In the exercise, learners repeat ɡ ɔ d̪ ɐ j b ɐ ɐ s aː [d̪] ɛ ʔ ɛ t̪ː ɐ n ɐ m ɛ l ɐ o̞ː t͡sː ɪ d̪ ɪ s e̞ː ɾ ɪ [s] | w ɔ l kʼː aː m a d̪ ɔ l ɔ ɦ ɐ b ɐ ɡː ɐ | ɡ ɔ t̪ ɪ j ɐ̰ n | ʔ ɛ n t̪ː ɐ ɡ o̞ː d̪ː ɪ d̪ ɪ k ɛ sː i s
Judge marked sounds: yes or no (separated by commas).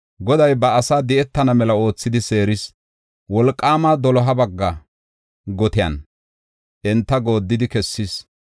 yes, yes